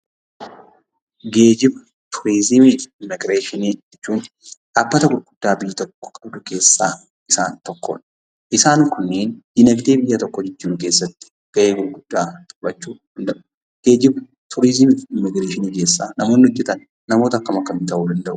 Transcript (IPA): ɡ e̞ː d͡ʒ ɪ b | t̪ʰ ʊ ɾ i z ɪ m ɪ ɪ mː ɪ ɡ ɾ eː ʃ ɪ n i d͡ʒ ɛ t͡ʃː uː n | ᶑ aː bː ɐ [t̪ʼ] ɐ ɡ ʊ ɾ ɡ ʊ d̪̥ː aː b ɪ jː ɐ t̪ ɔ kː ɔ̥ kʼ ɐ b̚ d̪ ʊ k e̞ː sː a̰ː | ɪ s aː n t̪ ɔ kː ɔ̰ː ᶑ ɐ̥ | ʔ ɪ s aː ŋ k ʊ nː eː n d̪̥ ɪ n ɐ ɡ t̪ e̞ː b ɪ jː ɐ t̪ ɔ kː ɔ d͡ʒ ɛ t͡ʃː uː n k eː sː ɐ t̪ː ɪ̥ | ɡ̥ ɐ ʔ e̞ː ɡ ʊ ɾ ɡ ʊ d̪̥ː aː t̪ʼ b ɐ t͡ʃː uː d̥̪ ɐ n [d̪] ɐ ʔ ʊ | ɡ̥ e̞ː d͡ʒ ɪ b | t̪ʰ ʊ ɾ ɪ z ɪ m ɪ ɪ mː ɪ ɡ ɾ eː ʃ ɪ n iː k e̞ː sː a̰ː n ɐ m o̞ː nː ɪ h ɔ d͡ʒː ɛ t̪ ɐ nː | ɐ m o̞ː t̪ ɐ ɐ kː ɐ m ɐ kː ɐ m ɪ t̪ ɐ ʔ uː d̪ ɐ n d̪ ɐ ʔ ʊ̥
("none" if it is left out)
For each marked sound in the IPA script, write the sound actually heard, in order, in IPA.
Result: t̪, d̪

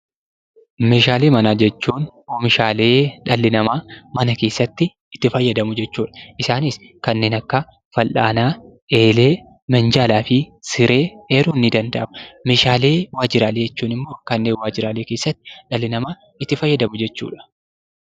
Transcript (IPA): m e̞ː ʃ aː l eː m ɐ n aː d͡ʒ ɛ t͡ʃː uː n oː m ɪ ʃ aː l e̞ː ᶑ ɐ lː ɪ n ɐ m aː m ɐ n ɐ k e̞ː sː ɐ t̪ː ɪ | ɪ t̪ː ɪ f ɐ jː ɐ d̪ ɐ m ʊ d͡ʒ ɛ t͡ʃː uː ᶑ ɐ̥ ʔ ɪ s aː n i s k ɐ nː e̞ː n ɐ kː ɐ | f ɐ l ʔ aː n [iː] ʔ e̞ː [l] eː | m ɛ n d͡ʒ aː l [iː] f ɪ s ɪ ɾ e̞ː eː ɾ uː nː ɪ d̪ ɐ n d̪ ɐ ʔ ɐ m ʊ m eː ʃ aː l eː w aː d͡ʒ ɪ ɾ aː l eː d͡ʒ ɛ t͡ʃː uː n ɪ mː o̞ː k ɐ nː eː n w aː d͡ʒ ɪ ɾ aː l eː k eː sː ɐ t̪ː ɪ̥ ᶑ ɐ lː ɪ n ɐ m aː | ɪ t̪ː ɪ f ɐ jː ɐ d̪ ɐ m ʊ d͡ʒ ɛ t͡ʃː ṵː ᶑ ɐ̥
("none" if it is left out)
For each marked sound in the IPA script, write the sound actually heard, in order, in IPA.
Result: aː, l, aː

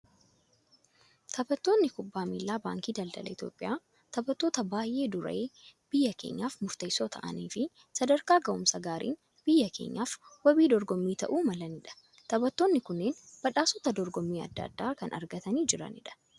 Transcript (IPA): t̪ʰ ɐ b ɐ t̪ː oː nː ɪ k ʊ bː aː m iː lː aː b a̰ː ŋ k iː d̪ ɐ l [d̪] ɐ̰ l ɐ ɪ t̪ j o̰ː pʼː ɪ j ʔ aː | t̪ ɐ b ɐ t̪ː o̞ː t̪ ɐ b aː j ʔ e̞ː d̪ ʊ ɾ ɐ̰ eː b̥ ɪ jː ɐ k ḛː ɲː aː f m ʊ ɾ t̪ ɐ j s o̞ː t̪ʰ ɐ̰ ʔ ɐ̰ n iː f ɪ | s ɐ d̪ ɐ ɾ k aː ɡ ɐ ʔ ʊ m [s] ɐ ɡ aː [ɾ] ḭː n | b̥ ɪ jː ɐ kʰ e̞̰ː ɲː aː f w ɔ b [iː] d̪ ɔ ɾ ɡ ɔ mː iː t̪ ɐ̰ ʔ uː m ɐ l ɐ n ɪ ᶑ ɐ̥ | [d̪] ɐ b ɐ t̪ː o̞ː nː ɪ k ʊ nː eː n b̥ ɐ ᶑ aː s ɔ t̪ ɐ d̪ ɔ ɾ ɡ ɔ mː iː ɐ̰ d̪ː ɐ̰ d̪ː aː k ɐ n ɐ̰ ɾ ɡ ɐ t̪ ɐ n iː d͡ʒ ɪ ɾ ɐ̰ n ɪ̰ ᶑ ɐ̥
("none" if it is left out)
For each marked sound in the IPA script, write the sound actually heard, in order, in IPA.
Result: d̪, s, ɾ, iː, t̪

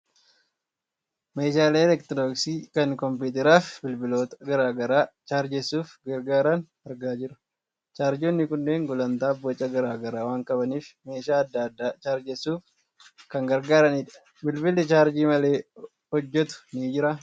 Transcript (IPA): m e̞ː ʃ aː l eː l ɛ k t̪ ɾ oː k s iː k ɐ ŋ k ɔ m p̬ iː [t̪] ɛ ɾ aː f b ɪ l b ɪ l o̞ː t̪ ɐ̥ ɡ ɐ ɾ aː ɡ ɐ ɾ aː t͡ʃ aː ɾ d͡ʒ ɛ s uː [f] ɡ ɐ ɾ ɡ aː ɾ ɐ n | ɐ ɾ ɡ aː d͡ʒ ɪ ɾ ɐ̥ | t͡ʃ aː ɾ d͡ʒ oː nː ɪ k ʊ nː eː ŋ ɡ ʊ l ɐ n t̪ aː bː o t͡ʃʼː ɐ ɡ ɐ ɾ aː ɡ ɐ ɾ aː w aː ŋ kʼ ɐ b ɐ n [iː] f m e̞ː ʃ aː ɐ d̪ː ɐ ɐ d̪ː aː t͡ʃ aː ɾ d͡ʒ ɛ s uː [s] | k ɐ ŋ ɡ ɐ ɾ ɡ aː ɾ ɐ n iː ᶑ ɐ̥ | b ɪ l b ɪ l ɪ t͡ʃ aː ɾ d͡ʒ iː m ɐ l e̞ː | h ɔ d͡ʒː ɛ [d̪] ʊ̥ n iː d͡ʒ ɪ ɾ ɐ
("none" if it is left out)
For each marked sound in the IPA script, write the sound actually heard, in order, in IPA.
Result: t̪, f, iː, f, t̪

